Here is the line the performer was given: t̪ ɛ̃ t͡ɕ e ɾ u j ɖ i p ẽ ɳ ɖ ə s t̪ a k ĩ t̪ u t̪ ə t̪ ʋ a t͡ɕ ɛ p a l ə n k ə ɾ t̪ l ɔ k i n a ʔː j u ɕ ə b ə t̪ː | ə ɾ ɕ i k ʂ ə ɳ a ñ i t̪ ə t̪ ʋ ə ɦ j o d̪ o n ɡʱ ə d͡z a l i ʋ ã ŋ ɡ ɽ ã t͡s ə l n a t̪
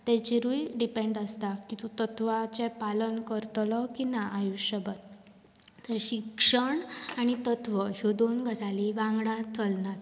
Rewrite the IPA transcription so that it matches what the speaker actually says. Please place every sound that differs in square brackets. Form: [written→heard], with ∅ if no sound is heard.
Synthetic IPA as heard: t̪ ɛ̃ t͡ɕ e ɾ u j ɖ i p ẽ ɳ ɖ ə s t̪ a k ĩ t̪ u t̪ ə t̪ ʋ a t͡ɕ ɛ p a l ə n k ə ɾ t̪ l ɔ k i n a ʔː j u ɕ ə b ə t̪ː | ə ɾ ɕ i k ʂ ə ɳ a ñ i t̪ ə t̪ ʋ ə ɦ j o d̪ o n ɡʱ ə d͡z a l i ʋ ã ŋ ɡ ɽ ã t͡s ə l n a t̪